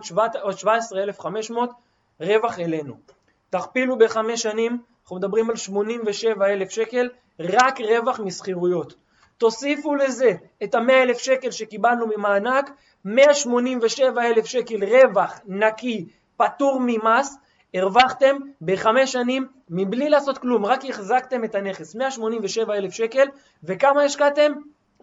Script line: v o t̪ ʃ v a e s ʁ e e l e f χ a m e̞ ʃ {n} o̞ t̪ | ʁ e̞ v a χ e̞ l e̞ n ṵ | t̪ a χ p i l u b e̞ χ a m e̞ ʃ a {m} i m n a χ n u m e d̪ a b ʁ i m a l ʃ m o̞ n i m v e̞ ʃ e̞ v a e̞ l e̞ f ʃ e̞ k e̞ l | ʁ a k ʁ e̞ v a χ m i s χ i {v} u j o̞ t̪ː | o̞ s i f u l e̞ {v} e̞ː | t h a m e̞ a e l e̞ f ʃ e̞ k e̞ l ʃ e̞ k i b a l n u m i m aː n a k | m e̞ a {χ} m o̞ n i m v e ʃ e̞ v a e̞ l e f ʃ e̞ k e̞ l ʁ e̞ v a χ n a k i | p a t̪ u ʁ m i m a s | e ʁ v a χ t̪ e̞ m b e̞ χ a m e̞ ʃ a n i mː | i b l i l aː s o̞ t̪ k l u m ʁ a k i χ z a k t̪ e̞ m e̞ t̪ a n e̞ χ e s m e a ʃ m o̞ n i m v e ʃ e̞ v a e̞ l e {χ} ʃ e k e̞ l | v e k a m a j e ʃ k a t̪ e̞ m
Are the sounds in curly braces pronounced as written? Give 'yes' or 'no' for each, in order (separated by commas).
no, no, no, no, no, no